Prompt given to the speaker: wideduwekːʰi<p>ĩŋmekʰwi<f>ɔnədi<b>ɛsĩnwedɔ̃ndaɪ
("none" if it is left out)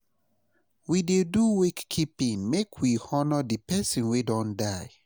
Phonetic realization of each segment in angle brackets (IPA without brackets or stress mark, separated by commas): p, h, p